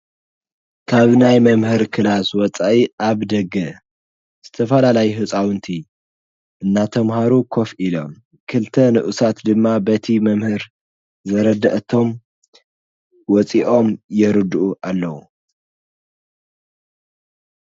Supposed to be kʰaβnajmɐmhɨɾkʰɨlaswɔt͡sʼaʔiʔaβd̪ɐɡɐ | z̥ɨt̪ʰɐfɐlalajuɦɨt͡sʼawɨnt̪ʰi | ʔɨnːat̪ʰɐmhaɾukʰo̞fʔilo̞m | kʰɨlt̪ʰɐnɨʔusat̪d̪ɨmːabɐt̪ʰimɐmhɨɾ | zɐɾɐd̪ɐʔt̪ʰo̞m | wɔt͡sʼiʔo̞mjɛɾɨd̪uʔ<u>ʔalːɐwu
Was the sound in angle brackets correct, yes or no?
yes